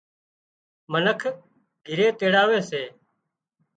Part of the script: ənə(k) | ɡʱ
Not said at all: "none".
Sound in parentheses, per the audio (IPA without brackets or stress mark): kʰ